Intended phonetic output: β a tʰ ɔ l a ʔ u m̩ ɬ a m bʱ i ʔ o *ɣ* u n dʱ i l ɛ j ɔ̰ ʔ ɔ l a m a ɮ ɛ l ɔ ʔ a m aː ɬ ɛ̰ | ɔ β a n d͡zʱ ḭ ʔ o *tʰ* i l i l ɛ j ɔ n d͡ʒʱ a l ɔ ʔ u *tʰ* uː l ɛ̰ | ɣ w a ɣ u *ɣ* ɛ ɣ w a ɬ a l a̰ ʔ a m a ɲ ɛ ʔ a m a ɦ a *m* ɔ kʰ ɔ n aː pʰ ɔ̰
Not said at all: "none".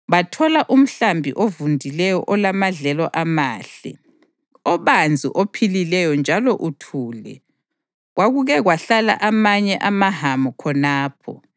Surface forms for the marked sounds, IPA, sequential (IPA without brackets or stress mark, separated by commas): v, pʰ, tʰ, ɣ, m